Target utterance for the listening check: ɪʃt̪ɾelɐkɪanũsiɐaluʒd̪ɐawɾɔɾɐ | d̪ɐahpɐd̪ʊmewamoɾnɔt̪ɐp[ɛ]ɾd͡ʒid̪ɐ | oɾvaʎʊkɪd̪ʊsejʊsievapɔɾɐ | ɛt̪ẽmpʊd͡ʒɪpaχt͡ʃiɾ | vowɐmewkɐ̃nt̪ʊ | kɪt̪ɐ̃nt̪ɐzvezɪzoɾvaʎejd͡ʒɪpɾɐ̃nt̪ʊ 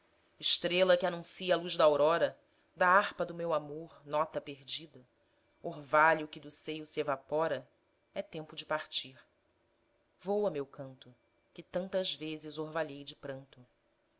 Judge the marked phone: incorrect: e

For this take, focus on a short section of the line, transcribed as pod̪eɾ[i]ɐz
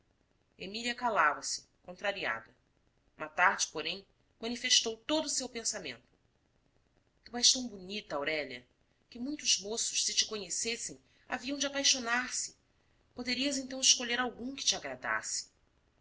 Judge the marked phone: correct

